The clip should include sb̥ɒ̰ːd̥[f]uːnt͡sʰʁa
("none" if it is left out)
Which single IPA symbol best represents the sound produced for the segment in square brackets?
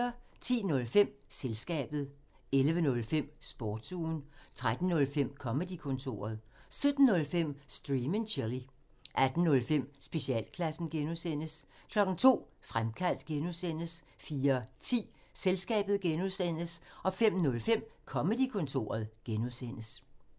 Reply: s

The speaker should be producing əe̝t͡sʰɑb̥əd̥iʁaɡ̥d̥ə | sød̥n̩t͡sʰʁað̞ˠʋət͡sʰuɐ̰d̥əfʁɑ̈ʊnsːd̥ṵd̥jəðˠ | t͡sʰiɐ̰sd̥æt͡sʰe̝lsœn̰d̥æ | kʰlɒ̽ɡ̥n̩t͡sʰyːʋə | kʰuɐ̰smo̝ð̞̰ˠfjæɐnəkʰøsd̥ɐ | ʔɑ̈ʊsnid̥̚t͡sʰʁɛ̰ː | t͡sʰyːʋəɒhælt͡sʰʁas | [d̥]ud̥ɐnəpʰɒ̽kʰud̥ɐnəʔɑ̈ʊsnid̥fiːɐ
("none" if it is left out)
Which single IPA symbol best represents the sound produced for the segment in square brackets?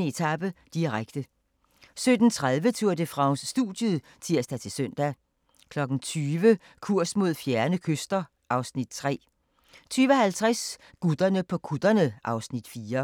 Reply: ɡ̥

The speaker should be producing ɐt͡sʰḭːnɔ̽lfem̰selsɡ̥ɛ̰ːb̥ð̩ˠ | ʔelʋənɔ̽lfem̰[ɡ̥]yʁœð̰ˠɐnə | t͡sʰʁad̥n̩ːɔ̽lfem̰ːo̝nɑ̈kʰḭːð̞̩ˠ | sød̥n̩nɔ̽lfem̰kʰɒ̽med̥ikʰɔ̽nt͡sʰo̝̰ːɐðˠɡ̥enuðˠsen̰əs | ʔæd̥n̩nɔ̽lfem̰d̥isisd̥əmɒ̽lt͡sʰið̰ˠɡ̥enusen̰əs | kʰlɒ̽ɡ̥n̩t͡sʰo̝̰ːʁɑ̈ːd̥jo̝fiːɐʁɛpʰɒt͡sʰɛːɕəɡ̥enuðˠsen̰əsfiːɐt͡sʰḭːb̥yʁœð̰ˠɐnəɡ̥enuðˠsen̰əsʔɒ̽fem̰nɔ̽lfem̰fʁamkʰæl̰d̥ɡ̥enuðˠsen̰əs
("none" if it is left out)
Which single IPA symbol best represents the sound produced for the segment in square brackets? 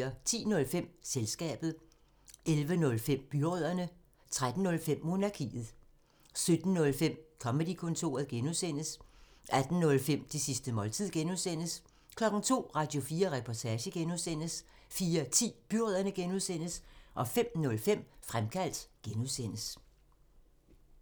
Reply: b̥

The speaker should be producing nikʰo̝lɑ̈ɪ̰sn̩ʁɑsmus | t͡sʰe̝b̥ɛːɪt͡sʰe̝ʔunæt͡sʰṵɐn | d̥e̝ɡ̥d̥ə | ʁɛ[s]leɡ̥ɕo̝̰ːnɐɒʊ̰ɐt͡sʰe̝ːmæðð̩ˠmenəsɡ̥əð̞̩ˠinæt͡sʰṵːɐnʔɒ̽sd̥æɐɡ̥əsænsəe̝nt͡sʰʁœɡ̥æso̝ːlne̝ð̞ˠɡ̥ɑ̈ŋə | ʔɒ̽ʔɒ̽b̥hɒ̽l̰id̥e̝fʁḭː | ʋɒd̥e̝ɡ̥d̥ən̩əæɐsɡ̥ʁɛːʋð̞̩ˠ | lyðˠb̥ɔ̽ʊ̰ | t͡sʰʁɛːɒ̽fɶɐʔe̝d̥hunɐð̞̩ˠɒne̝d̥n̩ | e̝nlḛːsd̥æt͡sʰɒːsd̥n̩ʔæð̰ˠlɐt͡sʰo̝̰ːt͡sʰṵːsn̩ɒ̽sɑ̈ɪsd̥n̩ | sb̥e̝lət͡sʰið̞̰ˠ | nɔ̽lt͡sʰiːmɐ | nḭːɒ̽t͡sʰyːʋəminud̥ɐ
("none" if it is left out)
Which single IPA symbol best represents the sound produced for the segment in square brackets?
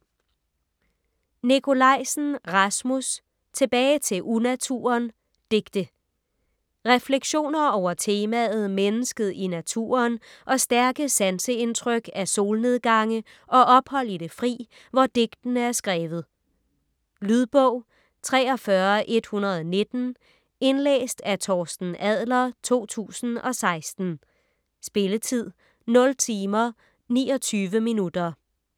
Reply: f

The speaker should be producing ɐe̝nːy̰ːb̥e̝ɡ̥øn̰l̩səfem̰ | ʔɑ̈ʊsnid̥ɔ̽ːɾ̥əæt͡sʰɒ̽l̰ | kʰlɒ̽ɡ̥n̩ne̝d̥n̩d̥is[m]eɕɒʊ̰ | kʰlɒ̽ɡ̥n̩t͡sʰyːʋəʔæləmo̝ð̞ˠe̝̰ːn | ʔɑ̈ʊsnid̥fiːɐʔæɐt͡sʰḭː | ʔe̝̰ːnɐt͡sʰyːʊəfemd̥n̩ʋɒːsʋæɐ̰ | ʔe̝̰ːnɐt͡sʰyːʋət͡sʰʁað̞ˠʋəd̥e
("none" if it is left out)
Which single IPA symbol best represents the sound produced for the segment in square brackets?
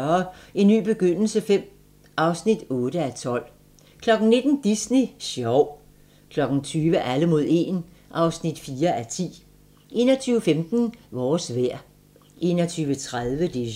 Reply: n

